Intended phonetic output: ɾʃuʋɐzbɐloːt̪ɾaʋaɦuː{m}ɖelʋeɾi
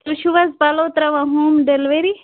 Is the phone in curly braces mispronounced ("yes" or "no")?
no